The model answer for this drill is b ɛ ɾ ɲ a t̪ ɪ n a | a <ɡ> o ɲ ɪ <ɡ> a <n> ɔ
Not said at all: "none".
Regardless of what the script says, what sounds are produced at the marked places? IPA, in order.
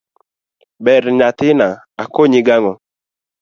k, ɡ, ŋ

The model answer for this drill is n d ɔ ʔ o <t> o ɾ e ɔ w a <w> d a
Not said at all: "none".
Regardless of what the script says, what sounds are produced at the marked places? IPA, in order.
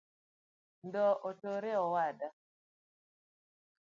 t, none

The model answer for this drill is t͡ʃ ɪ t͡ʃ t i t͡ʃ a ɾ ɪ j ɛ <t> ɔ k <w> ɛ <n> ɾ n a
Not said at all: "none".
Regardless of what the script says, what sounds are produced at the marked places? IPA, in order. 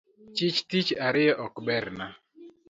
ʔ, b, none

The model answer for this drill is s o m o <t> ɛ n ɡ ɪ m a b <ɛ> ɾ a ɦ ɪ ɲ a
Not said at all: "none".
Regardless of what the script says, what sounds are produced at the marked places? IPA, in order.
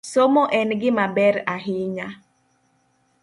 ʔ, ɛ

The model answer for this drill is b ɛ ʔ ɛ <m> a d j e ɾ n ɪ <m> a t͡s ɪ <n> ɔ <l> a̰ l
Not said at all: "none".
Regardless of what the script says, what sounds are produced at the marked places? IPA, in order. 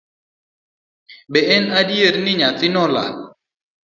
n, ɲ, n, l

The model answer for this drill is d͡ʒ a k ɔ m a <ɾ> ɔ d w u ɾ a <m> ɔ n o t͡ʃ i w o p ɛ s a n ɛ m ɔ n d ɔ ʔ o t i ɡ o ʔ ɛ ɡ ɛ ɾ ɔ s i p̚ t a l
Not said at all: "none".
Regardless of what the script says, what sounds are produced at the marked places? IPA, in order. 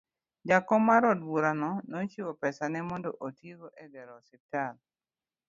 ɾ, n

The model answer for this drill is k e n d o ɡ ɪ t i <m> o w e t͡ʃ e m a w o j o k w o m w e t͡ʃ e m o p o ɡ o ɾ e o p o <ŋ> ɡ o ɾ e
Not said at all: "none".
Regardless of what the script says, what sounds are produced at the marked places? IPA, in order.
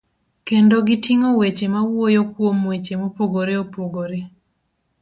ŋ, none

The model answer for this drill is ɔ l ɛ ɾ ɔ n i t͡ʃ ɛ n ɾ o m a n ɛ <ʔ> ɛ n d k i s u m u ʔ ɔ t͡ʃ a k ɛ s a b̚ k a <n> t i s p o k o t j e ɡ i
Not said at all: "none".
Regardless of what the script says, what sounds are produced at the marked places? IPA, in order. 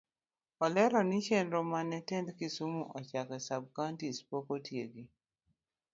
t, n

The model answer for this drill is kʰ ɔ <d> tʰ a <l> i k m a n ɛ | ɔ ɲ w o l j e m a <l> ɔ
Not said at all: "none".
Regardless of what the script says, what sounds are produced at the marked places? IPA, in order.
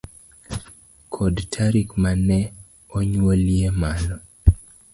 d, ɾ, l

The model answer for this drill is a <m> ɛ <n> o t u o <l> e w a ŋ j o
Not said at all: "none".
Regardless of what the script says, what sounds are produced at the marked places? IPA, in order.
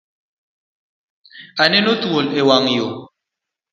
n, n, l

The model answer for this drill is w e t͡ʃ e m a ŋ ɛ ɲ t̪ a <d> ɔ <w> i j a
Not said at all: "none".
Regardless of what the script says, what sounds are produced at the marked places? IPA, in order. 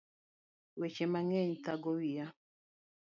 ɡ, w

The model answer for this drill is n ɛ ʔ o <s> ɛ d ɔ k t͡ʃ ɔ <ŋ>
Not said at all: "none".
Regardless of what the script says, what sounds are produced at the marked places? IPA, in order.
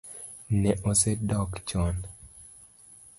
s, n

